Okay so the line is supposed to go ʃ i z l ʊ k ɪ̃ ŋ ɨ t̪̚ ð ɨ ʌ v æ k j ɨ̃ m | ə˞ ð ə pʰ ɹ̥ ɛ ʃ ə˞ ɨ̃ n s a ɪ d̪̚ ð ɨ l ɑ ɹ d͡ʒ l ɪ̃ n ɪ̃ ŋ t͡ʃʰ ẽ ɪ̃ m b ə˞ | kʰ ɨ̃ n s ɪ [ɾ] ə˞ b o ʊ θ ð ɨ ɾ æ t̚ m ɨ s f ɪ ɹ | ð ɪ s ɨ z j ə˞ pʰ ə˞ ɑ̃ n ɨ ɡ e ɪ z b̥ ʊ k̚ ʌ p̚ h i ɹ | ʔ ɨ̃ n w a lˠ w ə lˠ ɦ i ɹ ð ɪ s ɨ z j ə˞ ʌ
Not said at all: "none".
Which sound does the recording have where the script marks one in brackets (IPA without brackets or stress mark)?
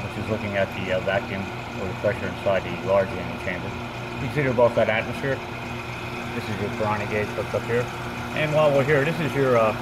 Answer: ɾ